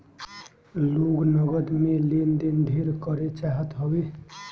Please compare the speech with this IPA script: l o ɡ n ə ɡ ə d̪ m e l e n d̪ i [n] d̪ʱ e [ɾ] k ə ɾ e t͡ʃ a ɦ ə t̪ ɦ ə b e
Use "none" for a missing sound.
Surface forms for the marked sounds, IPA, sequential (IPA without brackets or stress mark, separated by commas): n, ɾ